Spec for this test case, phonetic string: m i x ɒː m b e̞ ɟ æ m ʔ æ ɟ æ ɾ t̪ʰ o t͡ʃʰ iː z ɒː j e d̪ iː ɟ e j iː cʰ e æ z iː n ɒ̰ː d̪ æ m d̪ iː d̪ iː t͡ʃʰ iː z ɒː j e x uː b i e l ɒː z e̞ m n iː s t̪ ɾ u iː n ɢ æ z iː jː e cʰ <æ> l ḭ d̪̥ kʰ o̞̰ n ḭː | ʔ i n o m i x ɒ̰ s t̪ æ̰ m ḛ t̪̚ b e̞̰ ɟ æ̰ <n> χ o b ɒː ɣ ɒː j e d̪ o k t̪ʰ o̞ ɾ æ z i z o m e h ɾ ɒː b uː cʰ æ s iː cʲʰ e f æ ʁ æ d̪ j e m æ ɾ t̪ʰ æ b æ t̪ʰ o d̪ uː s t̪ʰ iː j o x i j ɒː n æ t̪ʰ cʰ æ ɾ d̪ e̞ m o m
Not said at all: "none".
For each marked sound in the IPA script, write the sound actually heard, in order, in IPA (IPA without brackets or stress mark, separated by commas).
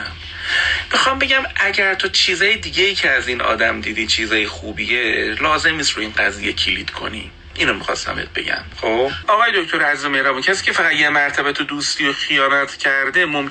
i, m